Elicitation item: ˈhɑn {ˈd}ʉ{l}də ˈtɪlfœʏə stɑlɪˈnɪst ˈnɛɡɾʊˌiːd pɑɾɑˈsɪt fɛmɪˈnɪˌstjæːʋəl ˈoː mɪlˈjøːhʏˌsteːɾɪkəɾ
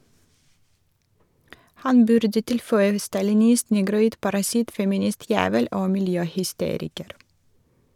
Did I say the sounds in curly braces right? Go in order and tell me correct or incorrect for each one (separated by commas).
incorrect, incorrect